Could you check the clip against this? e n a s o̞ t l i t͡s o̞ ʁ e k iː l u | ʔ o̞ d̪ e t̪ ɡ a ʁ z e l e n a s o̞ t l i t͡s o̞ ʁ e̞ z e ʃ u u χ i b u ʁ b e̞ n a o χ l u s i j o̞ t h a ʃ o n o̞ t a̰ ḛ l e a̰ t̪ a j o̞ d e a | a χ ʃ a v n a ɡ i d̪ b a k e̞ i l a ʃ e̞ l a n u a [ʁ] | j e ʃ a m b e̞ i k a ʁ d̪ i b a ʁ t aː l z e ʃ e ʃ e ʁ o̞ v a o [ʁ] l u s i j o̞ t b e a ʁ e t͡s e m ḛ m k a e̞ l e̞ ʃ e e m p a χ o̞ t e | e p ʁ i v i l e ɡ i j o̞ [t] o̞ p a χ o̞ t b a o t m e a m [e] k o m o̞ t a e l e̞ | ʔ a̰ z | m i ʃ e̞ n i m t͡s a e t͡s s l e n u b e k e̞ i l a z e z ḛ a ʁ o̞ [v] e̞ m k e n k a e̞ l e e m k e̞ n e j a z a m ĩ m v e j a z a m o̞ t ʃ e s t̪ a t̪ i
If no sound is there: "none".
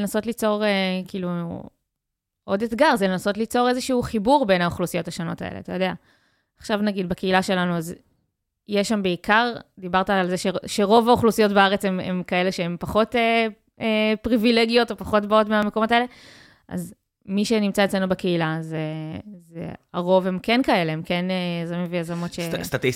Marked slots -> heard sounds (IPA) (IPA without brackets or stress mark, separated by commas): z, χ, t, e, v